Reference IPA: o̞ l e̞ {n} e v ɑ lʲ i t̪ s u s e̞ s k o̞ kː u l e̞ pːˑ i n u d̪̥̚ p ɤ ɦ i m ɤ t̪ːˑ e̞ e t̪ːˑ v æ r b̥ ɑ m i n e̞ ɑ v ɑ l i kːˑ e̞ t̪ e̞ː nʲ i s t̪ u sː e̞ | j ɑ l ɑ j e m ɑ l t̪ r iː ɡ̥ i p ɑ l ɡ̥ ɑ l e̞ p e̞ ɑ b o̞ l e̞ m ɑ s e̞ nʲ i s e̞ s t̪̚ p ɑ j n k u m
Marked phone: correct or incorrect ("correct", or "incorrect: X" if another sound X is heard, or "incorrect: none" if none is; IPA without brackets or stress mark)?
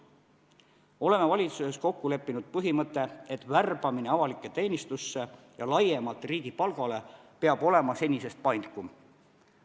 incorrect: m